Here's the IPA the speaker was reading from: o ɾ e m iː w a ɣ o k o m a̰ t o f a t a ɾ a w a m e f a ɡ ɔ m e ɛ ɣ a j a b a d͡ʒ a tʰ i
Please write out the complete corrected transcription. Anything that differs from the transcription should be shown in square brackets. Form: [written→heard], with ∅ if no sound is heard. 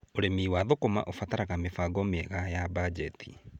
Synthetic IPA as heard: o ɾ e m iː w a [ɣ→ð] o k o m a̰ [t→ʔ] o f a t a ɾ a [w→ɣ] a m e f a ɡ ɔ m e ɛ ɣ a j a b a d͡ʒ [a→ɛ] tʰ i